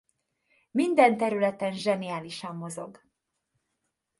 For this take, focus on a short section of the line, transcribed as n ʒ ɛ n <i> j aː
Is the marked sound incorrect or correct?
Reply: correct